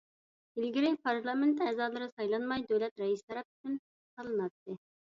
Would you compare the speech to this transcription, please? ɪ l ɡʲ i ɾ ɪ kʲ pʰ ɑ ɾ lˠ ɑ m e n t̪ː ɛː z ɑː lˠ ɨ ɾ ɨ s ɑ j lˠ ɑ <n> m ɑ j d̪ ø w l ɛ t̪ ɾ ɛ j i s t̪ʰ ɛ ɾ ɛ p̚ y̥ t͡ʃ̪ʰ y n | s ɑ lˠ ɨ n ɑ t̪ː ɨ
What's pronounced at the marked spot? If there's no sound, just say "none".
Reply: n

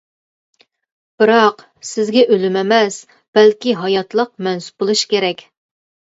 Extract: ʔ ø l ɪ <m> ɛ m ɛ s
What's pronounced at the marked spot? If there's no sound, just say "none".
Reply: m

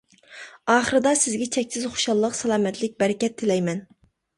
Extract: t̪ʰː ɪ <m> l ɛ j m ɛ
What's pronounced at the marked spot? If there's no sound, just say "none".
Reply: none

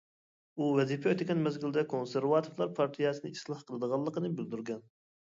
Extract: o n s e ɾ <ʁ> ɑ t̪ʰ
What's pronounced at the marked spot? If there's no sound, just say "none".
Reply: v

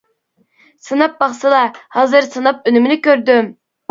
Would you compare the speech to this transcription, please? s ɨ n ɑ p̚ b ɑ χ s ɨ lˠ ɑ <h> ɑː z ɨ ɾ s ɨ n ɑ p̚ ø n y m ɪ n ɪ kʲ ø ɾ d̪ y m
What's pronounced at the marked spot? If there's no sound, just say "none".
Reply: h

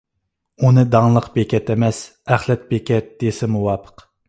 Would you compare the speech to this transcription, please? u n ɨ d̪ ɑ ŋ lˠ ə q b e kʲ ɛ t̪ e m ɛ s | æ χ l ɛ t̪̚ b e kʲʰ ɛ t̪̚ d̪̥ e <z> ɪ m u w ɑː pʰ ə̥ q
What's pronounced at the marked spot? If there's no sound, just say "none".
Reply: s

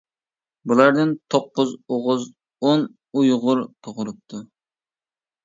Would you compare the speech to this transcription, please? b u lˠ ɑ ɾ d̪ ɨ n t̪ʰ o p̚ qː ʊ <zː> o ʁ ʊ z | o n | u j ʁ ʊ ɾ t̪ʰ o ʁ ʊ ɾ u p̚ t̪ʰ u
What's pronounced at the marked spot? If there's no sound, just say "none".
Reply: z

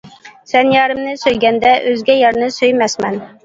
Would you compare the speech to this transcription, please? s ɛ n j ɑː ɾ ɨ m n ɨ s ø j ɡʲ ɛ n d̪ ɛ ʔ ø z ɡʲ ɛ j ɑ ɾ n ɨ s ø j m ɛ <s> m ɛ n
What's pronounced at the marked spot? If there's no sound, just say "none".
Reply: s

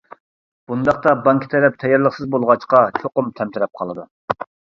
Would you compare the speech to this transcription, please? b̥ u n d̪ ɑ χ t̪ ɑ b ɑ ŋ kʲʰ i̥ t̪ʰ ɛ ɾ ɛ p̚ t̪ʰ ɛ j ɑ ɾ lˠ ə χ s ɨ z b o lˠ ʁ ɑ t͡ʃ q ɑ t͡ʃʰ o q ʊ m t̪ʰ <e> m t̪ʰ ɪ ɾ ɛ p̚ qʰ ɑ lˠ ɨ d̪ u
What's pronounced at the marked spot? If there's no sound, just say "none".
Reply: ɛ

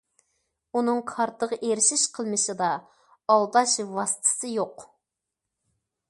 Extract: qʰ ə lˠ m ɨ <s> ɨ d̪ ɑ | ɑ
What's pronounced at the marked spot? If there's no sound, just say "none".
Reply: ʃ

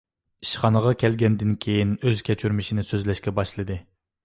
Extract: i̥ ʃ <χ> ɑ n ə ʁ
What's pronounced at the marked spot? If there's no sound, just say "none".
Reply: χ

